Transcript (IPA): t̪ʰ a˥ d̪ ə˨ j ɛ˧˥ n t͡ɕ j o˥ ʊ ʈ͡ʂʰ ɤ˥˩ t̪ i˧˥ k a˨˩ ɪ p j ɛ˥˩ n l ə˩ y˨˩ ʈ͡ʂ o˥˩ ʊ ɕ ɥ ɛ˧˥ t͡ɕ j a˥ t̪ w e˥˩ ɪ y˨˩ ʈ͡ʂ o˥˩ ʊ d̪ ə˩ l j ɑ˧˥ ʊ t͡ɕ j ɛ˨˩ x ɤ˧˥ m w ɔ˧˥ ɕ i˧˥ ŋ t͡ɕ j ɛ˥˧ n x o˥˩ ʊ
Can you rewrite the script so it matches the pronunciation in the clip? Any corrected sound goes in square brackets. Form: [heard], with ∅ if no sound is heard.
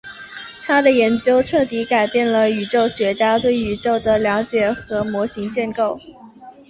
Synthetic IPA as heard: t̪ʰ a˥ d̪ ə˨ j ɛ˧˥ n t͡ɕ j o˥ ʊ ʈ͡ʂʰ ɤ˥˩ t̪ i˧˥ k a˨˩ ɪ p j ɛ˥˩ n l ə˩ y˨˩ ʈ͡ʂ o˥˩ ʊ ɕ ɥ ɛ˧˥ t͡ɕ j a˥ t̪ w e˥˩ ɪ y˨˩ ʈ͡ʂ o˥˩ ʊ d̪ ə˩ l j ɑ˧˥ ʊ t͡ɕ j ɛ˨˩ x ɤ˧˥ m w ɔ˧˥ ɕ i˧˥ ŋ t͡ɕ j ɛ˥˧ n [k] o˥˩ ʊ